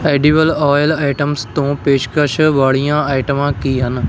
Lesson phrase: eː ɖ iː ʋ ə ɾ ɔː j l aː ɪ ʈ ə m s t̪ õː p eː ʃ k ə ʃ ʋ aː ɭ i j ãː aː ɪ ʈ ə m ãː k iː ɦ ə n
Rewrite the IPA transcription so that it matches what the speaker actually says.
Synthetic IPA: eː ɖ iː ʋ ə l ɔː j l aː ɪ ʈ ə m s t̪ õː p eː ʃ k ə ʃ ʋ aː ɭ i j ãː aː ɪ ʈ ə m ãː k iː ɦ ə n